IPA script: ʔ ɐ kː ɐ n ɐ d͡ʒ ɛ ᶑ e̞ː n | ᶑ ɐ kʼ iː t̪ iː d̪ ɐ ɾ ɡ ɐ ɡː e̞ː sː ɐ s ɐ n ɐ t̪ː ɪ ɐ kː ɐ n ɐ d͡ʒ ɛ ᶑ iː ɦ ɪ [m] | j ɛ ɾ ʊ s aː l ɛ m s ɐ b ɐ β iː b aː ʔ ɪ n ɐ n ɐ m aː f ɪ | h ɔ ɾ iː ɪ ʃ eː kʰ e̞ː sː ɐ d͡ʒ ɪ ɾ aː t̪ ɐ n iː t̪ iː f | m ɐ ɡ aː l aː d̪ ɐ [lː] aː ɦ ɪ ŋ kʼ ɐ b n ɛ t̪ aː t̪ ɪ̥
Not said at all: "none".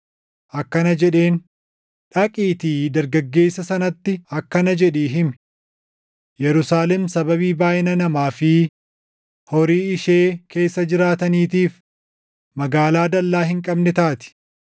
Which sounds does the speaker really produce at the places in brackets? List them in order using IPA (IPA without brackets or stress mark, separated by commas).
m, lː